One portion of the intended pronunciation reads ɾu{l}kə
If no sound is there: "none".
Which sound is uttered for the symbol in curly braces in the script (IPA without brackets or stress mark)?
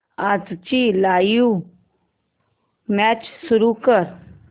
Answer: none